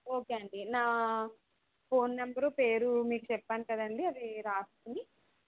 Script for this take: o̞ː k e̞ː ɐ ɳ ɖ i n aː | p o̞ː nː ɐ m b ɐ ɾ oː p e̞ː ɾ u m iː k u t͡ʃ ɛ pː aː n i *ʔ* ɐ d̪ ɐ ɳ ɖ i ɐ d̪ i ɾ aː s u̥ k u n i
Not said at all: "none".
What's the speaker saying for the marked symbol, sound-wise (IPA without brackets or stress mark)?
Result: k